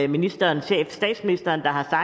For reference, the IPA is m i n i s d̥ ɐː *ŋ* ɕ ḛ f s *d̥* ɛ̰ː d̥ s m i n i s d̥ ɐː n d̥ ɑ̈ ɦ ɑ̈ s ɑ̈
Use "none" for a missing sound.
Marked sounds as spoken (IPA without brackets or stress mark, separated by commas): n, d̥